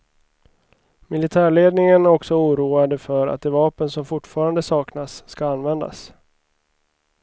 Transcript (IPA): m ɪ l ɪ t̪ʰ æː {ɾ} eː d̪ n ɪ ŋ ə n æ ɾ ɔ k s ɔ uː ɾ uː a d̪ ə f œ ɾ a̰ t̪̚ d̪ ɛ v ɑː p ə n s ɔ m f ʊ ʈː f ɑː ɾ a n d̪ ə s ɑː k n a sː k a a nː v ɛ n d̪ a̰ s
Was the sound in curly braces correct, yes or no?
no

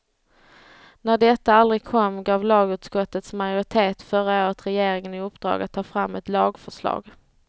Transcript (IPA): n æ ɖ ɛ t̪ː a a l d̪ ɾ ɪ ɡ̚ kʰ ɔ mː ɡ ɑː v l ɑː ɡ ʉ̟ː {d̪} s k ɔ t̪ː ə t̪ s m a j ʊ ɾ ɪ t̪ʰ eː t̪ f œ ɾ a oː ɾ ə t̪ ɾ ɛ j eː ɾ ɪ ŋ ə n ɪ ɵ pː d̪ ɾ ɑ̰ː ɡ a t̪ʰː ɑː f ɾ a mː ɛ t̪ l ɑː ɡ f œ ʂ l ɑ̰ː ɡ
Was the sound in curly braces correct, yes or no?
no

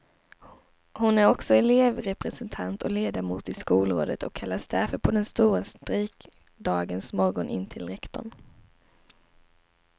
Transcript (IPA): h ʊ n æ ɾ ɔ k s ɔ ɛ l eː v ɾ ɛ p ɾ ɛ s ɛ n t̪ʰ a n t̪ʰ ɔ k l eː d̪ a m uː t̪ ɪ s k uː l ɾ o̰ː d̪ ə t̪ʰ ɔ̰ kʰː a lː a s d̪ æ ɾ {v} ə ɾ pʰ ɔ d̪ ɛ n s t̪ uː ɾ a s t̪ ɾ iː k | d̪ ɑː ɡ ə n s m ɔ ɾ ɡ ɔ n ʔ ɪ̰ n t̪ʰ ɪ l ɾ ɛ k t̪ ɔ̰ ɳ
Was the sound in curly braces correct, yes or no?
no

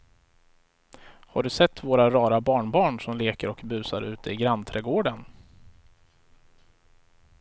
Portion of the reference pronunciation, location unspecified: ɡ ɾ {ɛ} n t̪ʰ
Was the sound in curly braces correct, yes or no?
no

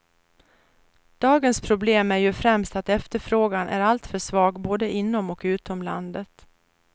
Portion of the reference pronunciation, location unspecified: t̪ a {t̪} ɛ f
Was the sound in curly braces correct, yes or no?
yes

